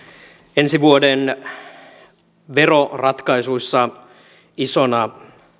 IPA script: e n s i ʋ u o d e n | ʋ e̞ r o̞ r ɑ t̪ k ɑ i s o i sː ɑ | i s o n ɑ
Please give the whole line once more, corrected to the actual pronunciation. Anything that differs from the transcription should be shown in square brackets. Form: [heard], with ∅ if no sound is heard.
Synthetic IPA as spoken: e n s i ʋ u o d e n | ʋ e̞ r o̞ r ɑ t̪ k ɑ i s [u] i sː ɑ | i s o n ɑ